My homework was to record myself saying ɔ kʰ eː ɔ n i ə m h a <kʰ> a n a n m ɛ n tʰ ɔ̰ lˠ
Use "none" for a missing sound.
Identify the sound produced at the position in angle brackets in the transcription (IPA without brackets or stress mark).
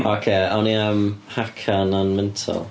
kʰ